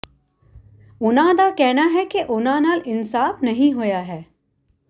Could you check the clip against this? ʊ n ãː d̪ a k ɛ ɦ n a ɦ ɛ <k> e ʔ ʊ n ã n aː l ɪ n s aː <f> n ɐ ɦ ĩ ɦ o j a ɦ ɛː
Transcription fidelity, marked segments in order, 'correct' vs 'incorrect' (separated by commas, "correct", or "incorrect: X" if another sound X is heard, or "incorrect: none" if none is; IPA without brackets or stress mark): correct, correct